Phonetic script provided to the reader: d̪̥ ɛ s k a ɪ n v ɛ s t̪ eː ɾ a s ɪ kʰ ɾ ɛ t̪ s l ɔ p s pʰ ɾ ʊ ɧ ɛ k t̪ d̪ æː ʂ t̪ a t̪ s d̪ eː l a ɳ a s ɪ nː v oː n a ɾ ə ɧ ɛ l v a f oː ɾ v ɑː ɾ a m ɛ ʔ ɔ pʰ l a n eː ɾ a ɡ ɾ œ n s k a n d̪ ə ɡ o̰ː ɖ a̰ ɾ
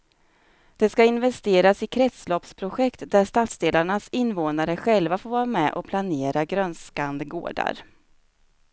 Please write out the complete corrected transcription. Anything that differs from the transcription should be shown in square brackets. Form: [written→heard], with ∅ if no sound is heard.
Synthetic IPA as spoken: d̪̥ ɛ s k a ɪ n v ɛ s t̪ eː ɾ a s ɪ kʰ ɾ ɛ t̪ s l ɔ p s pʰ ɾ ʊ ɧ ɛ k t̪ d̪ [æː→æ] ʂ t̪ a t̪ s d̪ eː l a ɳ a s ɪ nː v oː n a ɾ ə ɧ ɛ l v a f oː ɾ v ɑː ɾ a m ɛ ʔ ɔ pʰ l a n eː ɾ a ɡ ɾ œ n s k a n d̪ ə ɡ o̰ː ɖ a̰ ɾ

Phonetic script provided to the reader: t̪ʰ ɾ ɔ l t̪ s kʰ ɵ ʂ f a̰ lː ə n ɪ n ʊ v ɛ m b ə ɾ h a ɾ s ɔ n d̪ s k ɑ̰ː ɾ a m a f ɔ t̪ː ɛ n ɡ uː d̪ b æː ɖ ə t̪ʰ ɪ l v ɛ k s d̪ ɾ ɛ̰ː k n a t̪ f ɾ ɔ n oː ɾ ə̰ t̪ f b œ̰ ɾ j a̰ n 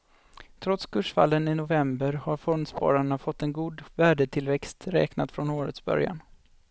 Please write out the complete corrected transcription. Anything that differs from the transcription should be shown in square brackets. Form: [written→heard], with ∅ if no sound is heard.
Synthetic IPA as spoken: t̪ʰ ɾ ɔ [l→∅] t̪ s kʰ ɵ ʂ f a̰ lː ə n ɪ n ʊ v ɛ m b ə ɾ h a ɾ [s→f] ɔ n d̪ s [k→p] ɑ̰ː ɾ a [m→ɳ] a f ɔ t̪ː ɛ n ɡ uː d̪ [b→v] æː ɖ ə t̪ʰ ɪ l v ɛ k s [d̪→t̪] ɾ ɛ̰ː k n a t̪ f ɾ ɔ n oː ɾ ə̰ t̪ [f→s] b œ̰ ɾ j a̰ n

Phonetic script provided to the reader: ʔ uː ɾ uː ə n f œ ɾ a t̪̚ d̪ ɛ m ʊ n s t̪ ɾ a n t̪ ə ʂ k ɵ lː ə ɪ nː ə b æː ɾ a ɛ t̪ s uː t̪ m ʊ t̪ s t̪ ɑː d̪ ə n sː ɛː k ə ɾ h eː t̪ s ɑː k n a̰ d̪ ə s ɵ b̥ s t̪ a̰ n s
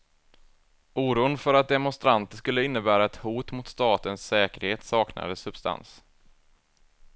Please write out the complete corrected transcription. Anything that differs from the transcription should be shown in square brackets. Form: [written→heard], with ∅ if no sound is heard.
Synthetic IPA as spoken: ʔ uː ɾ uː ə n f œ ɾ a t̪̚ d̪ ɛ m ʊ n s t̪ ɾ a n t̪ ə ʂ k ɵ lː ə ɪ nː ə b æː ɾ a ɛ t̪ [s→h] uː t̪ m ʊ t̪ s t̪ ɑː [d̪→t̪] ə n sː ɛː k ə ɾ h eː t̪ s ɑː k n a̰ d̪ ə s ɵ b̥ s t̪ a̰ n s

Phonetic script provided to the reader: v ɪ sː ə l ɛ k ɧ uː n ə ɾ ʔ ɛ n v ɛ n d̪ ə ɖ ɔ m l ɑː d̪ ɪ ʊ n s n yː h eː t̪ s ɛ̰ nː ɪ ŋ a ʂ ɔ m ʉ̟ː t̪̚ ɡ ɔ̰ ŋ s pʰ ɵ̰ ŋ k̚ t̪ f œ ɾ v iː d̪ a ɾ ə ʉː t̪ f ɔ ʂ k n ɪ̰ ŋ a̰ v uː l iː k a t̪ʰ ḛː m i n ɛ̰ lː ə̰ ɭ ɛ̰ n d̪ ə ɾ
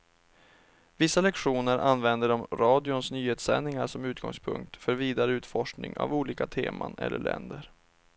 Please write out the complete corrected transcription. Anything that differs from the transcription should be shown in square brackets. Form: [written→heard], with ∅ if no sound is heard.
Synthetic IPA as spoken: v ɪ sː [ə→a] l ɛ k ɧ uː n ə ɾ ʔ [ɛ→a] n v ɛ n d̪ ə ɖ ɔ m [l→ɾ] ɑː d̪ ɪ ʊ n s n yː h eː t̪ s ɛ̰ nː ɪ ŋ a ʂ ɔ m ʉ̟ː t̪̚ ɡ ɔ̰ ŋ s pʰ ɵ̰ ŋ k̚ t̪ f œ ɾ v iː d̪ a ɾ ə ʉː t̪ f ɔ ʂ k n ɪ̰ ŋ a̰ v uː l iː k a t̪ʰ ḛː m [i→a] n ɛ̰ lː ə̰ ɭ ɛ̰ n d̪ ə ɾ

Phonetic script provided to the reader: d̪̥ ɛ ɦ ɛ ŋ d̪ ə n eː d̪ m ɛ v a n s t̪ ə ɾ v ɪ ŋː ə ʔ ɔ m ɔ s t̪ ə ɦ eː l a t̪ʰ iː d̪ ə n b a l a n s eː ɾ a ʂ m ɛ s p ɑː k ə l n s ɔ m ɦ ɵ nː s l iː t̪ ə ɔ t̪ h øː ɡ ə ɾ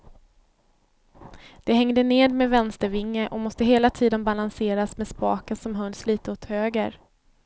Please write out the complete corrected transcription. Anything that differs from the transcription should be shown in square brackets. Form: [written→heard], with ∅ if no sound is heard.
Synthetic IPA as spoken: d̪̥ ɛ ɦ ɛ ŋ d̪ ə n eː d̪ m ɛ v [a→ɛ] n s t̪ ə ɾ v ɪ ŋː ə ʔ ɔ m ɔ s t̪ ə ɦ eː l a t̪ʰ iː d̪ ə n b a l a n s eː ɾ a [ʂ→s] m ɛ s p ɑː k ə [l→∅] n s ɔ m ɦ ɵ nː s l iː t̪ ə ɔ t̪ h øː ɡ ə ɾ

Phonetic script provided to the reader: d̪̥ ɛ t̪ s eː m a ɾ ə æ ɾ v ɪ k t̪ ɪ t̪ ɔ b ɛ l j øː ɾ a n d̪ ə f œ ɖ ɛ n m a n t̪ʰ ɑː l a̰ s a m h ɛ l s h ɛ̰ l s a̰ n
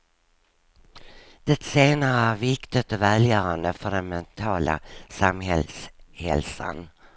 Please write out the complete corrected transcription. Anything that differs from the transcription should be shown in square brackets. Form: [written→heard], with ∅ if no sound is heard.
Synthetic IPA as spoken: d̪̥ ɛ t̪ s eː [m→n] a ɾ ə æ ɾ v ɪ k t̪ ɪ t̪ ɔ [b→v] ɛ l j [øː→œː] ɾ a n d̪ ə f œ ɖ ɛ n m [a→ɛ] n t̪ʰ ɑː l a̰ s a m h ɛ l s h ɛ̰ l s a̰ n

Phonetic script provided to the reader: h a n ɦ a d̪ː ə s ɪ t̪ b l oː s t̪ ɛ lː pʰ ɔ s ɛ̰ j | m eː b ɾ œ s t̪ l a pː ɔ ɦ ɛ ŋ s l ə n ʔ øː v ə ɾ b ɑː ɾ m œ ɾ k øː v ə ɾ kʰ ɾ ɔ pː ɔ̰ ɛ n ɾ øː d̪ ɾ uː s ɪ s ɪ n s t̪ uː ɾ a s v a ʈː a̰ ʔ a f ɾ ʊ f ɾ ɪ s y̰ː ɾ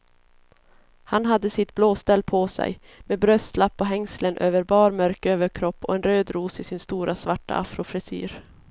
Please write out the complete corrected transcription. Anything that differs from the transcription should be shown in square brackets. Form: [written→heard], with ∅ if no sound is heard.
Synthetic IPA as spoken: h a n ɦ a d̪ː ə s ɪ t̪ b l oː s t̪ ɛ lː pʰ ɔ s ɛ̰ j | m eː b ɾ œ s t̪ l a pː ɔ ɦ ɛ ŋ s l ə n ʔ øː v ə ɾ b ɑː ɾ m œ ɾ k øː v ə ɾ kʰ ɾ ɔ pː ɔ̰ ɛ n ɾ øː d̪ ɾ uː s ɪ s ɪ n s t̪ uː ɾ a s v a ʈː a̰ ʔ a f ɾ ʊ f ɾ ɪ s y̰ː ɾ

